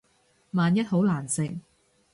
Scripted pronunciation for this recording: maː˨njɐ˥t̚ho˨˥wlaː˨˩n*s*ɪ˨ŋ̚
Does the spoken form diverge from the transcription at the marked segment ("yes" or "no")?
no